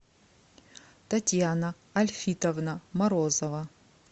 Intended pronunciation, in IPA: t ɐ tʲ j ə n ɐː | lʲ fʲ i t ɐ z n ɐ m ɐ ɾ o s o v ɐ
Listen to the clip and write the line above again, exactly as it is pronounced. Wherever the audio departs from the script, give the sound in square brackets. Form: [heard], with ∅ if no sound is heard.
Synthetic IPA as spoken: t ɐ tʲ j [a] n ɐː | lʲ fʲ i t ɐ [v] n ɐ m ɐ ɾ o [z] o v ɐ